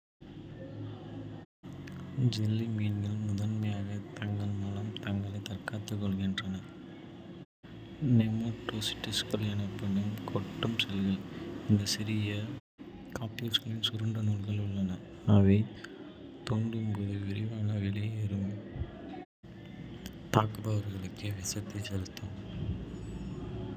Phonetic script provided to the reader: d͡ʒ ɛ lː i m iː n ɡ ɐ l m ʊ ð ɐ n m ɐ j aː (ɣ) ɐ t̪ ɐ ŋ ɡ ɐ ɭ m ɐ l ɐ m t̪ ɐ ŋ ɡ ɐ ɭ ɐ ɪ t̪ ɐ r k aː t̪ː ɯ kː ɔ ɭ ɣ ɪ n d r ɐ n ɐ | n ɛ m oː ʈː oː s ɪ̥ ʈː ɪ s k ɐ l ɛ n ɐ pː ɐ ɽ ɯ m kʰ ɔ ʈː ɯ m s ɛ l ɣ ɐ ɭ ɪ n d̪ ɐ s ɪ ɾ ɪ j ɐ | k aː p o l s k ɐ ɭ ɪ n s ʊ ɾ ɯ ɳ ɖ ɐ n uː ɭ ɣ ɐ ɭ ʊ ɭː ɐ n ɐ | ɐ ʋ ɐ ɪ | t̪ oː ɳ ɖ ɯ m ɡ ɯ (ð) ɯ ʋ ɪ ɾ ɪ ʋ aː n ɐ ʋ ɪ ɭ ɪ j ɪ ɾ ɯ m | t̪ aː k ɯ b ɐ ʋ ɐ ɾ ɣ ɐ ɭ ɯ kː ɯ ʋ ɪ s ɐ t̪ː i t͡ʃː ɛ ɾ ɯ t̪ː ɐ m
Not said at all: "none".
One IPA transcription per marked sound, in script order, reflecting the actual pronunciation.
ɣ, ð

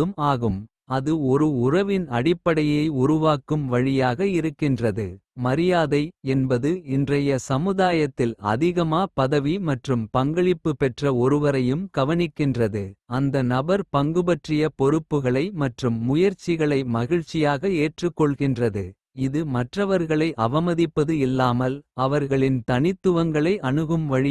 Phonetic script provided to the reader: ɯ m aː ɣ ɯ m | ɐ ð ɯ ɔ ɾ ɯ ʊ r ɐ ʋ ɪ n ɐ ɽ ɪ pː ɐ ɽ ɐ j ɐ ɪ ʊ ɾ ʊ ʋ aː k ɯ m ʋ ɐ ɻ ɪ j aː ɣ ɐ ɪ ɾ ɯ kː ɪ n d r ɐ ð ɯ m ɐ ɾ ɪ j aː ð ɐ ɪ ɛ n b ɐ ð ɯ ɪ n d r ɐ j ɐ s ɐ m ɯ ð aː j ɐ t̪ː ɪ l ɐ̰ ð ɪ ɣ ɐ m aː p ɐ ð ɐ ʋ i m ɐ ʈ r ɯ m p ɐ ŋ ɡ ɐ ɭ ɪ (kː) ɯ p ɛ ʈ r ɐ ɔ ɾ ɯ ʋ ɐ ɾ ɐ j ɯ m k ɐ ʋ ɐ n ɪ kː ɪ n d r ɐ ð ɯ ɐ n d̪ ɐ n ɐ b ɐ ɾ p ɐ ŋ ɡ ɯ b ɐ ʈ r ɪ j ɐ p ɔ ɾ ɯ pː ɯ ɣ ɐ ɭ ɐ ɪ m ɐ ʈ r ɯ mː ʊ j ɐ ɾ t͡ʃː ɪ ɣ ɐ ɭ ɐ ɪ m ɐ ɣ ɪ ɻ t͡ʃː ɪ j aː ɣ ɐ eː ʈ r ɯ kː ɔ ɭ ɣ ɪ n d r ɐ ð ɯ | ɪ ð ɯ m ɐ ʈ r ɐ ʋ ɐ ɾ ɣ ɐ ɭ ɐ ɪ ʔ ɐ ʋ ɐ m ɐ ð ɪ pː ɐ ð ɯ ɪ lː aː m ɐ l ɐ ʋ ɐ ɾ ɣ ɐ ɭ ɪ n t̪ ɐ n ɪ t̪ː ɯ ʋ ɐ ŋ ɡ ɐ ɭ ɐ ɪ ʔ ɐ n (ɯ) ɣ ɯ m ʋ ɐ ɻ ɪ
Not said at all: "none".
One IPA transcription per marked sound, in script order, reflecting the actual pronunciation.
pː, ɯ

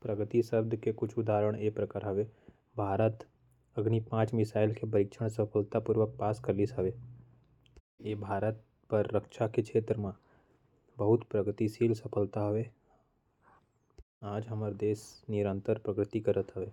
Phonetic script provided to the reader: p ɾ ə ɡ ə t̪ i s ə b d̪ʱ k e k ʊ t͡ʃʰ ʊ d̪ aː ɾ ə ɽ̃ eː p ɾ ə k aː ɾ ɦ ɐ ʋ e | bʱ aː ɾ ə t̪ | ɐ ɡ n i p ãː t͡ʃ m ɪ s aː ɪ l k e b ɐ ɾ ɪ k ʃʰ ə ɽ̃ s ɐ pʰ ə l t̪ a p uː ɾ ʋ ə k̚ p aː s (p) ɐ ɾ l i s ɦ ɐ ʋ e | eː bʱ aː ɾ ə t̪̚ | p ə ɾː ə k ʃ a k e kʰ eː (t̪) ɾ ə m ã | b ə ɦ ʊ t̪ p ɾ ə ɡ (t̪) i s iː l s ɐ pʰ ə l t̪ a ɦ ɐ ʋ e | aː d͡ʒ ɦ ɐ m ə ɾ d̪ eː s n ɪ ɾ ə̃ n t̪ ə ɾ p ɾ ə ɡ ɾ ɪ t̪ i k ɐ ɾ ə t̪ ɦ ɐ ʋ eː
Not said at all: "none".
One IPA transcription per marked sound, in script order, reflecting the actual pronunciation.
k, t̪, t̪

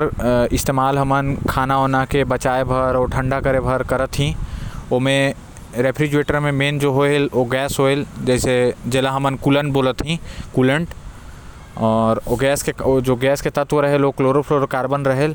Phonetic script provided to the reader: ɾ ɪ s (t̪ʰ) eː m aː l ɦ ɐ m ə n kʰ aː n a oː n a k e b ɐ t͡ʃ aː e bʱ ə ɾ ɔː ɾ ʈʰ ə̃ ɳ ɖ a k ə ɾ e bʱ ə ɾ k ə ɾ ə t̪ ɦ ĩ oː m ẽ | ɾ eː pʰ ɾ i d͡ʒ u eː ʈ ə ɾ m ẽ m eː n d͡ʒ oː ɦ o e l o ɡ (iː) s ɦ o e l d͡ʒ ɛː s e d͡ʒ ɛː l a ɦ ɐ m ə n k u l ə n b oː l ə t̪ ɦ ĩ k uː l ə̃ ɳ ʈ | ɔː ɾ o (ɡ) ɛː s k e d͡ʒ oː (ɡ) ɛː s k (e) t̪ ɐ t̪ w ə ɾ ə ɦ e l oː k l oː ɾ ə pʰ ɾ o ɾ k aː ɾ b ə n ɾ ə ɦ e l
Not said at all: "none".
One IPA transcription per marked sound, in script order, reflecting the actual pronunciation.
t̪, ɛː, ɡ, ɡ, e

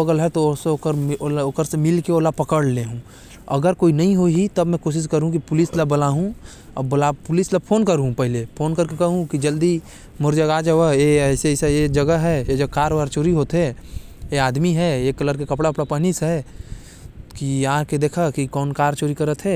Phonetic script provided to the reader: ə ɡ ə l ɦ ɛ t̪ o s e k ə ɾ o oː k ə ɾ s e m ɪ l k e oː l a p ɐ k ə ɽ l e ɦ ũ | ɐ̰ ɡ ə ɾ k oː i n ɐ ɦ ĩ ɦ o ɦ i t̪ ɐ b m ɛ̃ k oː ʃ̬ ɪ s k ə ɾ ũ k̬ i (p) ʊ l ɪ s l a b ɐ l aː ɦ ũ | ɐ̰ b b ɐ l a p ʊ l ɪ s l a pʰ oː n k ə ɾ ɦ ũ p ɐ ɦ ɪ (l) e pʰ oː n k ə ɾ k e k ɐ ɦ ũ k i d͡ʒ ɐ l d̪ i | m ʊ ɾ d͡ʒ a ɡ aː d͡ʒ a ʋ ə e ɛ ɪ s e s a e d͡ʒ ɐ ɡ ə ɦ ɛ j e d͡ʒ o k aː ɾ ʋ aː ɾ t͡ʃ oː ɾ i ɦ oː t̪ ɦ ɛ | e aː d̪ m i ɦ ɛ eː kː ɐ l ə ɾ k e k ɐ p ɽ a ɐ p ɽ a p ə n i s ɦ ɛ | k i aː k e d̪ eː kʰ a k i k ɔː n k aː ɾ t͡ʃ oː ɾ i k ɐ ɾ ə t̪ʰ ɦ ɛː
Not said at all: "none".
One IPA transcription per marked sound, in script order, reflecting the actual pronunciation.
p, l

